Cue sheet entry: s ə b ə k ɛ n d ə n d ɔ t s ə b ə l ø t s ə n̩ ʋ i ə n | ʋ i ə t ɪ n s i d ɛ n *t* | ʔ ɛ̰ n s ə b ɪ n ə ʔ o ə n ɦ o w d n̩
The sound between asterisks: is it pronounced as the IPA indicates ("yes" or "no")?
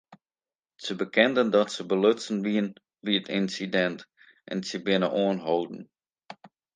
yes